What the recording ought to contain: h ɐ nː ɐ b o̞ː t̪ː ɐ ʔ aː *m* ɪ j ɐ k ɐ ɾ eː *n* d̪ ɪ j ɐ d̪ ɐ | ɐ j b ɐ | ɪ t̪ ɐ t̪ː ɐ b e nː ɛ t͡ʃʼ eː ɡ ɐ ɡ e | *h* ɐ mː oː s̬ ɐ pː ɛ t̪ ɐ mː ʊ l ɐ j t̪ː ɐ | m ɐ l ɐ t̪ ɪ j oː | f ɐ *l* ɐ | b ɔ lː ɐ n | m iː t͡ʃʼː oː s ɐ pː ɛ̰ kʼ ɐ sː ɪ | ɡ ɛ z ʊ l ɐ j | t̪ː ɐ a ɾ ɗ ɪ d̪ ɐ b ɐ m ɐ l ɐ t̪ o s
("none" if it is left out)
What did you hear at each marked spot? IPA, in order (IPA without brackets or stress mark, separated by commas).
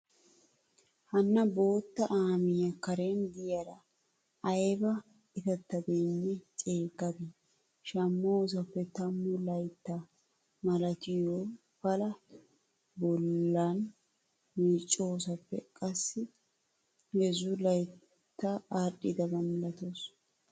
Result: m, n, ʃ, l